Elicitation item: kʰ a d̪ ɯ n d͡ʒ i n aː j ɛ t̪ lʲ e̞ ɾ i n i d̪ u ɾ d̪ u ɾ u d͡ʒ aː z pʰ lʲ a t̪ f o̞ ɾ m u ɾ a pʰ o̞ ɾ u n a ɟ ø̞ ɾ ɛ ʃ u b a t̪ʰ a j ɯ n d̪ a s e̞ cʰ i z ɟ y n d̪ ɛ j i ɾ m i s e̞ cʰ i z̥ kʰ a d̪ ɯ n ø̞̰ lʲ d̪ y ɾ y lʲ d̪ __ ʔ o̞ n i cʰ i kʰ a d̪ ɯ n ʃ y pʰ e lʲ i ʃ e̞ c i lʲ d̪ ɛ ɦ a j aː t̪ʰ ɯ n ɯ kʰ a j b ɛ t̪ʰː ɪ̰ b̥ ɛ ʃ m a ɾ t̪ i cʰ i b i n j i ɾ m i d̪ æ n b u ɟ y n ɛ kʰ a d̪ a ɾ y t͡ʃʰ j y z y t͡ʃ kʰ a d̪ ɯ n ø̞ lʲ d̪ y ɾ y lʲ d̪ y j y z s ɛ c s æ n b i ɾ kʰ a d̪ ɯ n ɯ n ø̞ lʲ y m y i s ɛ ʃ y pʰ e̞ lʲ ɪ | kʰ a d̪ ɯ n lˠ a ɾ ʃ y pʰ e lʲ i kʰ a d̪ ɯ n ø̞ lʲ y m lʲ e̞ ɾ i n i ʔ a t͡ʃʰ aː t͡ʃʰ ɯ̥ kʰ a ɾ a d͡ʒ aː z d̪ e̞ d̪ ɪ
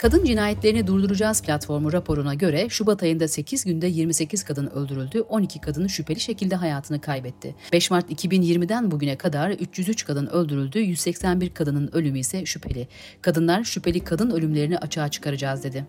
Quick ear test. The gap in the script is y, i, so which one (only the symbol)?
y